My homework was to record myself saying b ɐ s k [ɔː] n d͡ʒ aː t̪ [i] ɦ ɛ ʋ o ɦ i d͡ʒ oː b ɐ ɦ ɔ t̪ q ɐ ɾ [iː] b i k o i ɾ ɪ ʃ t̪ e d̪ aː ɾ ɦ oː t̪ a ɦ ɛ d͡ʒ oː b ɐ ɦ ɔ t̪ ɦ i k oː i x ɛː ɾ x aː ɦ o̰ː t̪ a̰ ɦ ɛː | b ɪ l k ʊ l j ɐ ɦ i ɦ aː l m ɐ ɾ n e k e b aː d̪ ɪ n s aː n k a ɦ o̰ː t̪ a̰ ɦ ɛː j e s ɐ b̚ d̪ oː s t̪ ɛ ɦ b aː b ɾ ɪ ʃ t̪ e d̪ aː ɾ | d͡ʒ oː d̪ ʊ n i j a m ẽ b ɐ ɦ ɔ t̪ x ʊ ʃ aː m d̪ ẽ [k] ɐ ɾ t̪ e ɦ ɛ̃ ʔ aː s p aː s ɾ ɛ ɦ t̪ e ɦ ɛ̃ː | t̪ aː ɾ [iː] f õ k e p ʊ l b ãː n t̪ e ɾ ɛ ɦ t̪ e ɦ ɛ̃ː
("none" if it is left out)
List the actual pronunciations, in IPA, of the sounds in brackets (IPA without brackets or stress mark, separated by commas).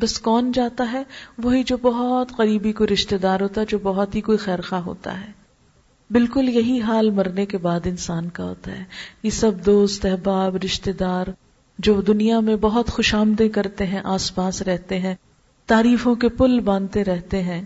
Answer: ɔː, a, iː, k, iː